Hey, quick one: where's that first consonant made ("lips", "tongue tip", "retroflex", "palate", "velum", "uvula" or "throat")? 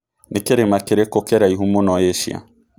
tongue tip